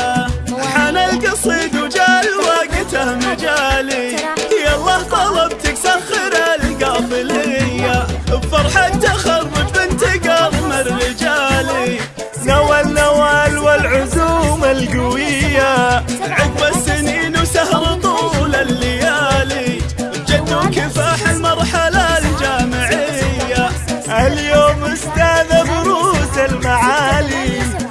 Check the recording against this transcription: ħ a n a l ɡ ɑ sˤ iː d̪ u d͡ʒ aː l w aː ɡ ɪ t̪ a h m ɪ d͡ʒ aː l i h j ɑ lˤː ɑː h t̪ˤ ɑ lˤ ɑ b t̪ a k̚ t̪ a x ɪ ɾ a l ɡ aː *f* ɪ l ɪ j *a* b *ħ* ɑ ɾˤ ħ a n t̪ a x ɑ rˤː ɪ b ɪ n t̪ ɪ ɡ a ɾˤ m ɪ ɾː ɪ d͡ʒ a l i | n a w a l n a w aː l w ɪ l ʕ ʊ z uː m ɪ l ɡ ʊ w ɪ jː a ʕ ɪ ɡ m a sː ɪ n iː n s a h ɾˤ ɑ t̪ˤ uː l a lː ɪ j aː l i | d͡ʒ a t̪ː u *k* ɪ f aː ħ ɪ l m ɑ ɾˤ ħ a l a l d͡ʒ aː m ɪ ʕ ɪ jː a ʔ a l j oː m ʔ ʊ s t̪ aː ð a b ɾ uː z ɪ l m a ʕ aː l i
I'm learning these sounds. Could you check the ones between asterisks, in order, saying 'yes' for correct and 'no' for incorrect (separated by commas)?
yes, yes, no, yes